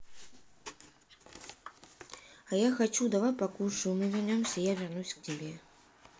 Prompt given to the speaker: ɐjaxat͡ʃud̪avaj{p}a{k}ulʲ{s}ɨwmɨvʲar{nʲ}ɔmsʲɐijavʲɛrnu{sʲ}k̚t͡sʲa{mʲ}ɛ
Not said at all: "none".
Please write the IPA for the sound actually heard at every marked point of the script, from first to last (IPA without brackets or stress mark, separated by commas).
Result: p, k, ʂ, nʲ, sʲ, bʲ